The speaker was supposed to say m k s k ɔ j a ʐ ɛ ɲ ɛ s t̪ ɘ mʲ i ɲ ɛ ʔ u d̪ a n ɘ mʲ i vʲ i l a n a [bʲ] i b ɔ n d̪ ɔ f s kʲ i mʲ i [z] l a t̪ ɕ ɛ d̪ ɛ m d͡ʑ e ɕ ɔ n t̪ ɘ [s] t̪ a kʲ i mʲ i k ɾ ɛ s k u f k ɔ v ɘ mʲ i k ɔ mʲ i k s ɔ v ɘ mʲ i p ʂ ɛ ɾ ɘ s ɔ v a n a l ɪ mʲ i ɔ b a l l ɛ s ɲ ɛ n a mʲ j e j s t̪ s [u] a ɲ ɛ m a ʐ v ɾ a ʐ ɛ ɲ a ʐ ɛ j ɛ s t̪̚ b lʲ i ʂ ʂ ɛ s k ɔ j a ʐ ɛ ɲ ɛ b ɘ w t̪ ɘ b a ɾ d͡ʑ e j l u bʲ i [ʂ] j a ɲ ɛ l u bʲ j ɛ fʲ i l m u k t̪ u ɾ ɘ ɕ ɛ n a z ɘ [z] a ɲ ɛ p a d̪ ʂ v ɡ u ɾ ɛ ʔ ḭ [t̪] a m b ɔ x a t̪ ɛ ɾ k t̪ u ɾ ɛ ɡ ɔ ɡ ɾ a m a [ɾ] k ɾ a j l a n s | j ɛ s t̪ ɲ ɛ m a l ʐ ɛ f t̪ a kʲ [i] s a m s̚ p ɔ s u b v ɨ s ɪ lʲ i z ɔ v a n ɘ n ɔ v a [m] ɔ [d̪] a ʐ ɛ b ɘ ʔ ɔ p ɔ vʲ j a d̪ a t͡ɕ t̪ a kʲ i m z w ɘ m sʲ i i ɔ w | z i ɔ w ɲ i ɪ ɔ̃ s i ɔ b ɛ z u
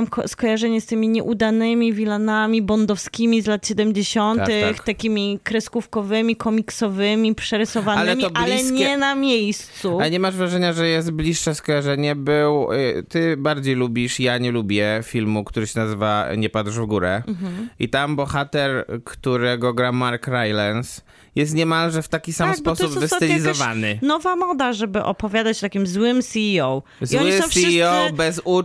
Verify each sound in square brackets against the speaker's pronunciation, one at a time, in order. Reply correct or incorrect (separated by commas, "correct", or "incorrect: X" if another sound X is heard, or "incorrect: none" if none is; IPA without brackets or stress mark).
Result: incorrect: mʲ, correct, incorrect: x, correct, correct, incorrect: v, correct, correct, correct, correct, correct